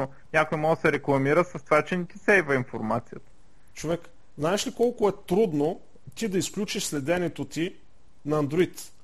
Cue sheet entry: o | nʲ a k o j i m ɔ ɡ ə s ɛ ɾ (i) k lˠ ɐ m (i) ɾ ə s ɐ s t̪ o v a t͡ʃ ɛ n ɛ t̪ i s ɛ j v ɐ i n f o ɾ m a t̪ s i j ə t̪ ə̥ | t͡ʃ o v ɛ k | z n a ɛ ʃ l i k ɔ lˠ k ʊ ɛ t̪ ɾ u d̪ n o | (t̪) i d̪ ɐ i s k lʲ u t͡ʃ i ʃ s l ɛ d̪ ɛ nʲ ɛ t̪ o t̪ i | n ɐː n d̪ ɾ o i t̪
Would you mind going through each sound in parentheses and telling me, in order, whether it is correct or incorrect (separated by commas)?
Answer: incorrect, correct, correct